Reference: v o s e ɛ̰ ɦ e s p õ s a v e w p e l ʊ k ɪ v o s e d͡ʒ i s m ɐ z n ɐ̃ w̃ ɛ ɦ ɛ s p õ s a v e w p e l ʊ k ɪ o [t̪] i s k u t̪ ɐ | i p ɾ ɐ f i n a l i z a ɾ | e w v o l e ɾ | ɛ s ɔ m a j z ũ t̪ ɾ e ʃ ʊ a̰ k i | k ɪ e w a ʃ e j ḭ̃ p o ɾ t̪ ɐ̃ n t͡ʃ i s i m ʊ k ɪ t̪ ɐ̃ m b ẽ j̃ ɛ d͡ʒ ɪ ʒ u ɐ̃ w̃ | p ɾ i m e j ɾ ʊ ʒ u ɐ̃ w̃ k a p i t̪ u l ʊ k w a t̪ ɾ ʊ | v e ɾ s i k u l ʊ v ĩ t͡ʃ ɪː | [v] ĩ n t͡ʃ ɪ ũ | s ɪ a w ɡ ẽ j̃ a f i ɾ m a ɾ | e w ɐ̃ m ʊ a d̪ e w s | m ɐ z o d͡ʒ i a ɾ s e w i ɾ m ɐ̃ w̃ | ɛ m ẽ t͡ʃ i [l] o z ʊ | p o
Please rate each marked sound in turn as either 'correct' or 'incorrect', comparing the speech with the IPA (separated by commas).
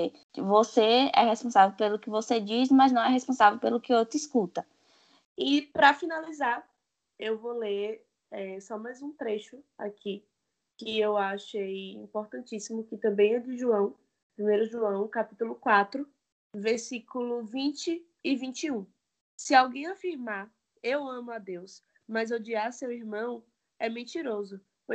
correct, correct, incorrect